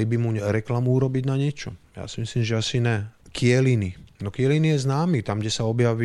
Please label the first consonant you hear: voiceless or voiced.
voiced